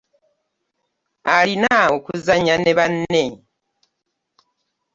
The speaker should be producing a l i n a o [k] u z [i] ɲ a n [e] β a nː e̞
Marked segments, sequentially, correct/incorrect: correct, incorrect, correct

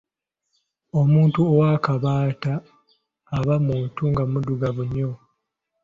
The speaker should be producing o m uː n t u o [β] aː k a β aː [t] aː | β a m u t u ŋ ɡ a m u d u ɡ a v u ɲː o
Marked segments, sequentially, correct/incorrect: incorrect, correct

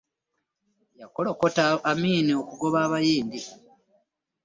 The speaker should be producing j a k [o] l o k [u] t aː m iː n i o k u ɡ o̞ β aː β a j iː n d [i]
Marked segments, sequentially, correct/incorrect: correct, incorrect, correct

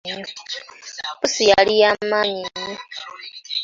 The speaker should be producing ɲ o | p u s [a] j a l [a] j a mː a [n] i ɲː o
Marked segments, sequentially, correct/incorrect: incorrect, incorrect, incorrect

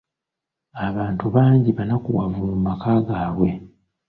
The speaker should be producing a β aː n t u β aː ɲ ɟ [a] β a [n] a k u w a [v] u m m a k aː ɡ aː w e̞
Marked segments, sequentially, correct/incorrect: incorrect, correct, correct

